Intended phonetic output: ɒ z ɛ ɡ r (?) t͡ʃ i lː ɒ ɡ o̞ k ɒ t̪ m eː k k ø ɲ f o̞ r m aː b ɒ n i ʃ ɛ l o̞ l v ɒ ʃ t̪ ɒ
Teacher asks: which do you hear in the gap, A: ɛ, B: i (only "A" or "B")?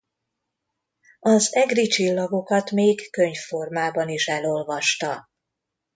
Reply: B